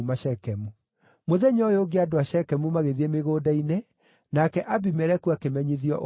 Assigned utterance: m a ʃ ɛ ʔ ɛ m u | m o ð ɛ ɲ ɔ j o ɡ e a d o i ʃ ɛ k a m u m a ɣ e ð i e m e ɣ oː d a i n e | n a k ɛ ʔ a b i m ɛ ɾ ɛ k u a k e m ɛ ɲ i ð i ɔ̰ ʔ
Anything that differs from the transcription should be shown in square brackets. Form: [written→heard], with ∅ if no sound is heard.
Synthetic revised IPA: m a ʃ ɛ [ʔ→k] ɛ m u | m o ð ɛ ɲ ɔ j o ɡ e a d o [i→a] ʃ ɛ k [a→ɛ] m u m a ɣ e ð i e m e ɣ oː d a i n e | n a k ɛ ʔ a b i m ɛ ɾ ɛ k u a k e m ɛ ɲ i ð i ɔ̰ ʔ